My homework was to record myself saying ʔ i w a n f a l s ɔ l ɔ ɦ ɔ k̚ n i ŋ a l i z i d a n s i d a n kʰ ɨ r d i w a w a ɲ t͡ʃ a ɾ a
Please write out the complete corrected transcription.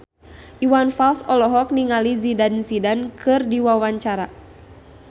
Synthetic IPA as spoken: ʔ i w a n f a l s ɔ l ɔ ɦ ɔ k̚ n i ŋ a l i z i d a n s i d a n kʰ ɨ r d i w a w a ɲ t͡ʃ a ɾ a